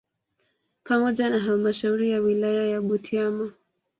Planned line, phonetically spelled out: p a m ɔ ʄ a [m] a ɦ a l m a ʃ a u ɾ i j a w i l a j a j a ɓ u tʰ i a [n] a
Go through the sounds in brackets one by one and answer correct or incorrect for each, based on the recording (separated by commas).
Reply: incorrect, incorrect